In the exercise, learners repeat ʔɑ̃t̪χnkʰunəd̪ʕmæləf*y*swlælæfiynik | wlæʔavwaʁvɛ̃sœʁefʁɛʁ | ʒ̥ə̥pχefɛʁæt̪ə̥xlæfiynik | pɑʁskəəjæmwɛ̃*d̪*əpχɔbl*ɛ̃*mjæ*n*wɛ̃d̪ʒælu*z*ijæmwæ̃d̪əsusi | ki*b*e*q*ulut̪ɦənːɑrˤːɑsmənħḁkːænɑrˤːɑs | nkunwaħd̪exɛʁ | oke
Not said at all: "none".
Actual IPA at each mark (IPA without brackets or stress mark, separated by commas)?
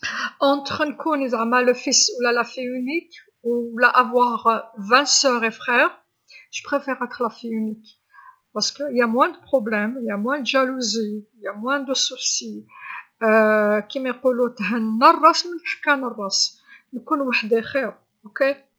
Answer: i, d̪, ɛ, m, z, m, q